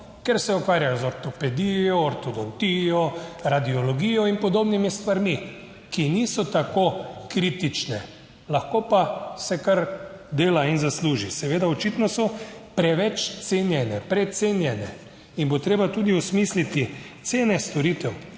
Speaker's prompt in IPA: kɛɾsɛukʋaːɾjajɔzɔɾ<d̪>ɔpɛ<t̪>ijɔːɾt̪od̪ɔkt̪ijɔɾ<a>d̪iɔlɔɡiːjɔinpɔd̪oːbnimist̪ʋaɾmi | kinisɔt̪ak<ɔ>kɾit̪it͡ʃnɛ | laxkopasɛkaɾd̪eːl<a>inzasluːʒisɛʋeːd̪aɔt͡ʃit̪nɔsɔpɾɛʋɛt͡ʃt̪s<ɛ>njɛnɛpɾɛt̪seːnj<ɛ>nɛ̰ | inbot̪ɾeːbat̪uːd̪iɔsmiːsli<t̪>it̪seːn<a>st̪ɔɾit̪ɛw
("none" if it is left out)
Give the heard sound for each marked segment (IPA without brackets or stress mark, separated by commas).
t̪, d̪, a, o, a, e, ɛ, t̪, ɛ